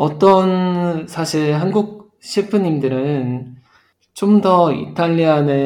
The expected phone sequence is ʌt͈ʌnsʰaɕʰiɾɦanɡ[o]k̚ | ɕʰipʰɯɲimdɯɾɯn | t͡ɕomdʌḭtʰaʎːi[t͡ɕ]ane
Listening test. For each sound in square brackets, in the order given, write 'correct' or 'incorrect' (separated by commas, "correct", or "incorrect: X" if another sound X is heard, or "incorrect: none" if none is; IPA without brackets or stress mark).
incorrect: u, incorrect: none